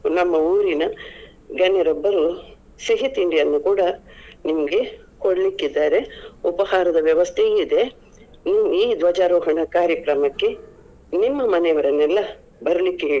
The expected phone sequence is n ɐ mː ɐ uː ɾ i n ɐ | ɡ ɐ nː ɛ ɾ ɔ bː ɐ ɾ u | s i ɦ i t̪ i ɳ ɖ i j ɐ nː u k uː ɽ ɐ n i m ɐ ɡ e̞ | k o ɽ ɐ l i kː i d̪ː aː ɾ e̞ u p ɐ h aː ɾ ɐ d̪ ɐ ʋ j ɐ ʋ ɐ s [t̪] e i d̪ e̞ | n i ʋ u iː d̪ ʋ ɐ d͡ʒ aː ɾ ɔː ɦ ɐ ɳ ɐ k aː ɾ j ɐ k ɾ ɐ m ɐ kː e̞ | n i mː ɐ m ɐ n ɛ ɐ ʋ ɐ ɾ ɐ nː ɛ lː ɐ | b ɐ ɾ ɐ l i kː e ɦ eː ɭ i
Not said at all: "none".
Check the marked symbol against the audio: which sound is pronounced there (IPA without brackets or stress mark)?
t̪ʰ